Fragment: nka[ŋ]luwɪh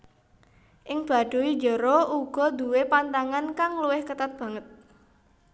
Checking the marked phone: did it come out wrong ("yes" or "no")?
no